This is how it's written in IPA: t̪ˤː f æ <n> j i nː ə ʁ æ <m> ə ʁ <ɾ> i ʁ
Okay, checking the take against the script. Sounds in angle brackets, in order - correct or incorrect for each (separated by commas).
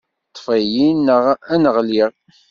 incorrect, incorrect, incorrect